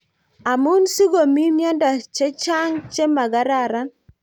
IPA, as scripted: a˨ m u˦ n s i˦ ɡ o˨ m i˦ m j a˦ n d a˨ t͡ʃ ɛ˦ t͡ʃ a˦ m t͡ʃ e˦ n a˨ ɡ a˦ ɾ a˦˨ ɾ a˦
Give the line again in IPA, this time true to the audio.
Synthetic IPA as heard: a˨ m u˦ n s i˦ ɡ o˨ m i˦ m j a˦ n d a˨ t͡ʃ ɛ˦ t͡ʃ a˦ ŋ t͡ʃ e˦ m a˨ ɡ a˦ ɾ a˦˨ ɾ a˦